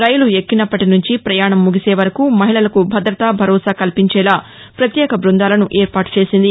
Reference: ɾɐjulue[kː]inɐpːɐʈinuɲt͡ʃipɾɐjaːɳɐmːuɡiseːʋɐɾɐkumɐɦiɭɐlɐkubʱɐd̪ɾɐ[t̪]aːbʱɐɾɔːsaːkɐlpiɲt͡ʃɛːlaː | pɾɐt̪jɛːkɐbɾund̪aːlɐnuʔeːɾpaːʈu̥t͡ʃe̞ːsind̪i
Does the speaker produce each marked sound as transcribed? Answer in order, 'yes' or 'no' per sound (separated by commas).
yes, yes